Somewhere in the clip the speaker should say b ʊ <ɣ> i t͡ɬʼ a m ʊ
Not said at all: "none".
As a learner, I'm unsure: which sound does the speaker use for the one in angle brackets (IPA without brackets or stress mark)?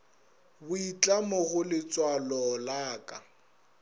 none